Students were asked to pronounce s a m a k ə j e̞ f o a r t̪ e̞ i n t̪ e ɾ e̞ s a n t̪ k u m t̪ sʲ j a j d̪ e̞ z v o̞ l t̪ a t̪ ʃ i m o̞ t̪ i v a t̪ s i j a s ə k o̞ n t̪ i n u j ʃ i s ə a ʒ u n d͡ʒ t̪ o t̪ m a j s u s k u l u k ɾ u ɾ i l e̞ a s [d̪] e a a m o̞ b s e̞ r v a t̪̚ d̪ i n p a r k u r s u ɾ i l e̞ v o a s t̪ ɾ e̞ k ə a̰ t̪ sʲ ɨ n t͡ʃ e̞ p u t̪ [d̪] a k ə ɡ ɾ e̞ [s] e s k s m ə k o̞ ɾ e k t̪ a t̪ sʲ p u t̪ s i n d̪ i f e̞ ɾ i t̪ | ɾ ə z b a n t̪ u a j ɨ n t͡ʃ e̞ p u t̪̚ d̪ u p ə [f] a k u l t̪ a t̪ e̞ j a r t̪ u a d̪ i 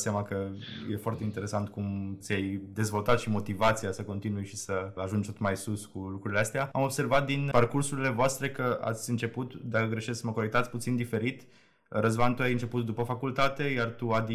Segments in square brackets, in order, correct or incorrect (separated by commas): incorrect, correct, incorrect, correct